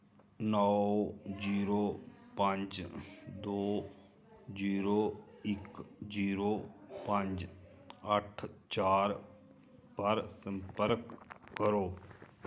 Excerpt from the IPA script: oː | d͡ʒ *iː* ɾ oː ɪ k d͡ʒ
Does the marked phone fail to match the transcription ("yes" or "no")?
no